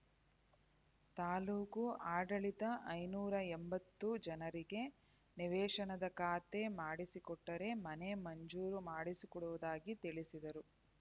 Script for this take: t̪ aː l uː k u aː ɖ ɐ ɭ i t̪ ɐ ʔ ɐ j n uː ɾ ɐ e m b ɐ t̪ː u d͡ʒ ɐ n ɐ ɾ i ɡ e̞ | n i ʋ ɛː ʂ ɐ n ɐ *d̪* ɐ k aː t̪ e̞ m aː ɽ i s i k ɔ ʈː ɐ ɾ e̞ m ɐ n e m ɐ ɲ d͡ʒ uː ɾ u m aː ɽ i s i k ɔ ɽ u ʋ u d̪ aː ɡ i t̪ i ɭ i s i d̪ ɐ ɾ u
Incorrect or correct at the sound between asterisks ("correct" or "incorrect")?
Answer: correct